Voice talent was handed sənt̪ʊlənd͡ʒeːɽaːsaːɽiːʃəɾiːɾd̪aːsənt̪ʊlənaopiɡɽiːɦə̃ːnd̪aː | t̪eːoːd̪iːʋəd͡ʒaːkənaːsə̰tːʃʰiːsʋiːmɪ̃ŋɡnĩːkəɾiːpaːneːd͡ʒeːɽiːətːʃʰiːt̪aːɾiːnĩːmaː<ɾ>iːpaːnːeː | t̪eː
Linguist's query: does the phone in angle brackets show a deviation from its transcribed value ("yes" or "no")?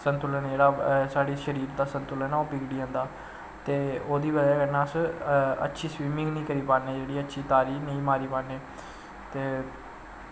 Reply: no